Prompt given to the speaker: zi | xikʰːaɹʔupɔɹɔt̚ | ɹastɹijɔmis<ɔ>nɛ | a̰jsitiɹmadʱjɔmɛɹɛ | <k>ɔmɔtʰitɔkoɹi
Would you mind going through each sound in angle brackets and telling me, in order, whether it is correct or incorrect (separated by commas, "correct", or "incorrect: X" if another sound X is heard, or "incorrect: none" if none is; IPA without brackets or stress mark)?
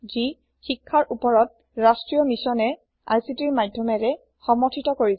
correct, incorrect: x